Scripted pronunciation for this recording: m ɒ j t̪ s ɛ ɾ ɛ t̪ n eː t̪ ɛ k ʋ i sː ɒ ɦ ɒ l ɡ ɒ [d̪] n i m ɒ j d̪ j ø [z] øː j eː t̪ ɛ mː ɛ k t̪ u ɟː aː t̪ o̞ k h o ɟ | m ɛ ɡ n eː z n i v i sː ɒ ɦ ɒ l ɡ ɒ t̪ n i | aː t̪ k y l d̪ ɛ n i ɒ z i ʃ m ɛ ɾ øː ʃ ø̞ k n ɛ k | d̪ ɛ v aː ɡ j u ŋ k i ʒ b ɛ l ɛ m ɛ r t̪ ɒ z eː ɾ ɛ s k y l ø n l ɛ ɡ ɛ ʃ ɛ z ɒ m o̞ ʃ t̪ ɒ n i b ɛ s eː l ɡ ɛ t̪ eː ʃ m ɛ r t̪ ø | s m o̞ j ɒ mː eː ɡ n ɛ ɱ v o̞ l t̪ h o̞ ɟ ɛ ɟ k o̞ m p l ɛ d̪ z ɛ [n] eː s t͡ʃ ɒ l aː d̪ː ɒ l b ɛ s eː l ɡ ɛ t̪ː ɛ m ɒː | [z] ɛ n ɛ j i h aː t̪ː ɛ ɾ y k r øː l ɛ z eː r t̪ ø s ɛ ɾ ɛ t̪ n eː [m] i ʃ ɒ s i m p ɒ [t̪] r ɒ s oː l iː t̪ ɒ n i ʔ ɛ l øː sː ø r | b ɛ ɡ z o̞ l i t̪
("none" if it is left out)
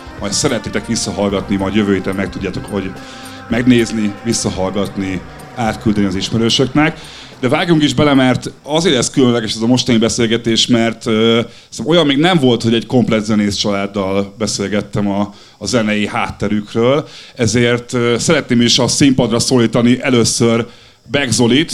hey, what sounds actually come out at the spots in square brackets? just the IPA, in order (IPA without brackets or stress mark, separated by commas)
t̪, v, n, z, m, d̪